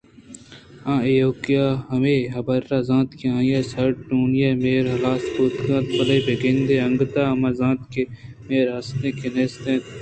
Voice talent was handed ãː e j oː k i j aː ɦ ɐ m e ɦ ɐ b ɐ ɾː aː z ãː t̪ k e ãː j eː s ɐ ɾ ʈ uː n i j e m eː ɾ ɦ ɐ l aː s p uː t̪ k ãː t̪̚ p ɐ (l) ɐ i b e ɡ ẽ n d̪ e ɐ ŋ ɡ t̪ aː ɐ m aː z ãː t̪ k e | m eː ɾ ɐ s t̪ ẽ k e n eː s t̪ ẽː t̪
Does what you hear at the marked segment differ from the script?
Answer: no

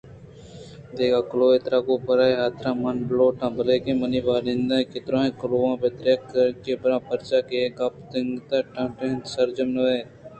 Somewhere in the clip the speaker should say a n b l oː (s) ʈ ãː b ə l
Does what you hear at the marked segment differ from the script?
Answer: yes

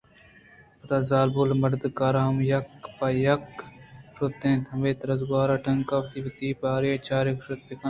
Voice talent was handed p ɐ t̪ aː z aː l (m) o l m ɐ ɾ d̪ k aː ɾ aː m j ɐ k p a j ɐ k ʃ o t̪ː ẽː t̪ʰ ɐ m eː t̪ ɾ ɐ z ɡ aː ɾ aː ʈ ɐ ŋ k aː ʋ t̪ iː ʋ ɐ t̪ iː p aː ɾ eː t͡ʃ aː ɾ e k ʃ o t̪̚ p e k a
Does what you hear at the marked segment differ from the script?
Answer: yes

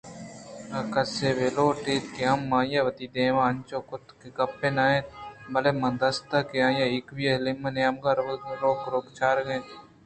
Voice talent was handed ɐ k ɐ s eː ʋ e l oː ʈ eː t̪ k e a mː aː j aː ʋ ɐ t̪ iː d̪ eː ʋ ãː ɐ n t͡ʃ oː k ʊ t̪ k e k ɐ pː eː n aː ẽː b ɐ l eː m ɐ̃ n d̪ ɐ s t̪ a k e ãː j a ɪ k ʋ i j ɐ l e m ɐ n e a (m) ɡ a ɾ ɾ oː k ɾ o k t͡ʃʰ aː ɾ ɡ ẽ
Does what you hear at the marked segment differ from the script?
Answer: no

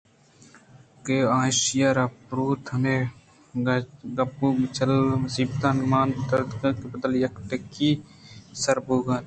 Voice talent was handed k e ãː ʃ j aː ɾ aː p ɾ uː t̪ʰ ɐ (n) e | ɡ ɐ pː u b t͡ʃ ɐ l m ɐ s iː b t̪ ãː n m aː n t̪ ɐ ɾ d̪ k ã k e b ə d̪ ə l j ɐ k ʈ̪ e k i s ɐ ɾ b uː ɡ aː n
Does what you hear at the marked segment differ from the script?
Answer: no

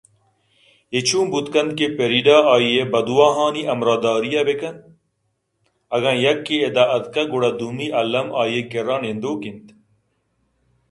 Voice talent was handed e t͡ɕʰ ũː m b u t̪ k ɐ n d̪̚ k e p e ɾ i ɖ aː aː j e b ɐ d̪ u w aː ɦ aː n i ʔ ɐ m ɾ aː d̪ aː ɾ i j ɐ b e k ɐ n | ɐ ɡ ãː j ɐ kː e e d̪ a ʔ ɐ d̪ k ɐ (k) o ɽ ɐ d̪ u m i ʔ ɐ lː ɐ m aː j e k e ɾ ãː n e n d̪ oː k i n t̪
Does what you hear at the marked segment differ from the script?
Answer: yes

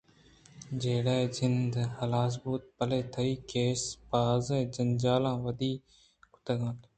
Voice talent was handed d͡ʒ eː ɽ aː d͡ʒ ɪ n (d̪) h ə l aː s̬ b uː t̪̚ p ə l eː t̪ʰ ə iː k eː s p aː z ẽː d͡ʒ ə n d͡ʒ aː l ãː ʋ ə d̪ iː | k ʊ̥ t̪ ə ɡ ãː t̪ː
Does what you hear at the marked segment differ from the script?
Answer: no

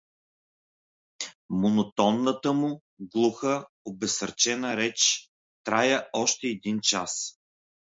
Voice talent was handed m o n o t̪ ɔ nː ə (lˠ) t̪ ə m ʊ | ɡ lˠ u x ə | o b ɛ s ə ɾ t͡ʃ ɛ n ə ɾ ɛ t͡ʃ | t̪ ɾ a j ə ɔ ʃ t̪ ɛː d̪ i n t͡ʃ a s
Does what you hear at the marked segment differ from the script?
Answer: yes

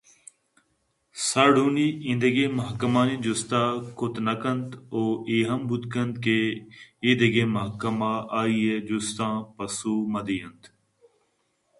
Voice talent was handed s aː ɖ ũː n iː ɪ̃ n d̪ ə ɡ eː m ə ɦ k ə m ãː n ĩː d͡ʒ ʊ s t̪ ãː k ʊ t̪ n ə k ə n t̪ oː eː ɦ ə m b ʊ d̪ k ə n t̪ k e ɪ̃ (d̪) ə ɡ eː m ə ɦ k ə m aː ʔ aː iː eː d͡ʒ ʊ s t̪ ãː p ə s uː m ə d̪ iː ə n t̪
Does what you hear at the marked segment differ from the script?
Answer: no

